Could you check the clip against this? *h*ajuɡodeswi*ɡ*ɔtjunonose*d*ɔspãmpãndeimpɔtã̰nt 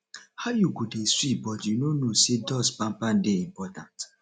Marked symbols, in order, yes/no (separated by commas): yes, no, yes